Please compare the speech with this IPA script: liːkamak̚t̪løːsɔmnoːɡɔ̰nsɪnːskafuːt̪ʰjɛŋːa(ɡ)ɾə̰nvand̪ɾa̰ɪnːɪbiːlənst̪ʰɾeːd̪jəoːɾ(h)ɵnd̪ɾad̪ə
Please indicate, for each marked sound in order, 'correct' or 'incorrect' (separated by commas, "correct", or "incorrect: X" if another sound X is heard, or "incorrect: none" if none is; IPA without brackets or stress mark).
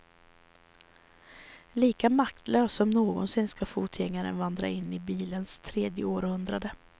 incorrect: none, correct